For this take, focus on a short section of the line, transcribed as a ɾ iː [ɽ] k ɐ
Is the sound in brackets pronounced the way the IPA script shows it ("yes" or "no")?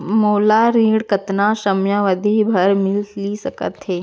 yes